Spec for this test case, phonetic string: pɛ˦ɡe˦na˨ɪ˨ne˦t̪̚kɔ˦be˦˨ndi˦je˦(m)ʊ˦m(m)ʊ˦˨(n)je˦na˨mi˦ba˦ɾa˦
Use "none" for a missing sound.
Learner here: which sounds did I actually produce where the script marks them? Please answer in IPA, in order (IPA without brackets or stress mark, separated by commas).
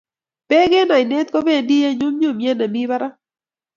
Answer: ɲ, ɲ, m